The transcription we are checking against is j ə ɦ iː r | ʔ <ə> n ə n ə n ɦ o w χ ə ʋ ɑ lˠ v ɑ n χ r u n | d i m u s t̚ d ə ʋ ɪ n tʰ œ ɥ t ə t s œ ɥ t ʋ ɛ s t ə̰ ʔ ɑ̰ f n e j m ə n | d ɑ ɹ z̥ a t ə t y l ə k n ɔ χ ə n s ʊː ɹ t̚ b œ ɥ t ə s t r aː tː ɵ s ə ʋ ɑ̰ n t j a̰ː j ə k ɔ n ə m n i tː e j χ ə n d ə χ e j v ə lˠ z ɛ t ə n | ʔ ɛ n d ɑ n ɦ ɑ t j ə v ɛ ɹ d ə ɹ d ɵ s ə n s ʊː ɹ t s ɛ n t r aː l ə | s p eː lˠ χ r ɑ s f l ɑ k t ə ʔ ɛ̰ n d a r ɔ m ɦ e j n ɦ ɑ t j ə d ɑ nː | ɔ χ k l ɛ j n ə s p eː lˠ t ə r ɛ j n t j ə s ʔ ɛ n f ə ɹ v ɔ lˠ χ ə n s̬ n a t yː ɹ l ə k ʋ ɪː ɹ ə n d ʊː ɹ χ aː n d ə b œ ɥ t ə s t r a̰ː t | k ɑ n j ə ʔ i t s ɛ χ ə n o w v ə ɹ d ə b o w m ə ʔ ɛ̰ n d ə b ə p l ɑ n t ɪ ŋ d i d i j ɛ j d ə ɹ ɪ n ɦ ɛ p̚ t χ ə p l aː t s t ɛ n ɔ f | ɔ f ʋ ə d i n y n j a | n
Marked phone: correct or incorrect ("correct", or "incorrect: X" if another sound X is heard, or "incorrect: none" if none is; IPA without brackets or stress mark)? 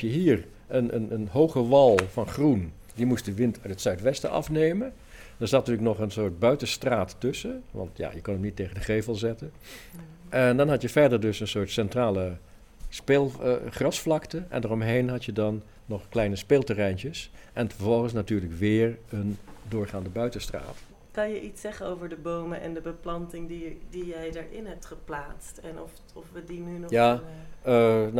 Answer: correct